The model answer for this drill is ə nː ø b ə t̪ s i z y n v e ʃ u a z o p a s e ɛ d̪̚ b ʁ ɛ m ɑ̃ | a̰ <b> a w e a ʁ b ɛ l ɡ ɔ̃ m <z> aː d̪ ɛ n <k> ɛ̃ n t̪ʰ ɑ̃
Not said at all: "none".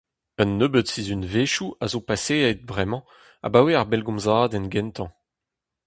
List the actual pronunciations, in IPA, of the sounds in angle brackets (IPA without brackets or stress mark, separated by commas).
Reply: b, z, ɡ